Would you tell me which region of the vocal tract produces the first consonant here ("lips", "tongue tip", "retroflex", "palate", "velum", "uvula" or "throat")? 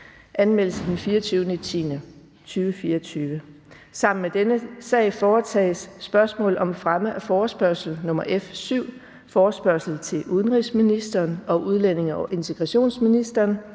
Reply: throat